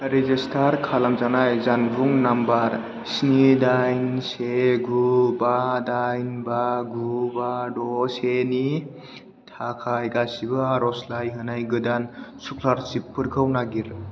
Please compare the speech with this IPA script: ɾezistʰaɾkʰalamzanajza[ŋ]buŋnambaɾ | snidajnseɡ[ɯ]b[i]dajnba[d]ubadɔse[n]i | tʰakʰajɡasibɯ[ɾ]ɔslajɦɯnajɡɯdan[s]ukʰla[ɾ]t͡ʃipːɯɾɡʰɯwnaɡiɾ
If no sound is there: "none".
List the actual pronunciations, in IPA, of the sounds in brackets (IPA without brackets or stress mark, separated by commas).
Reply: n, u, a, ɡ, n, ɾ, s, ɾ